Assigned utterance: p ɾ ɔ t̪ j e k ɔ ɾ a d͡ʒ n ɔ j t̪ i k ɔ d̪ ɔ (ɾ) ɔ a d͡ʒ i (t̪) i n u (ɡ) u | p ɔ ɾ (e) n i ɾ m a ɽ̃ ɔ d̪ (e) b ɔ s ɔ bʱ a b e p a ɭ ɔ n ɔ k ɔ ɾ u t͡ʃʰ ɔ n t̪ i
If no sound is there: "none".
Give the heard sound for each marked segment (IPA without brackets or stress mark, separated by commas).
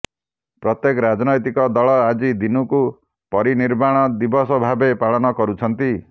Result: ɭ, d̪, k, i, i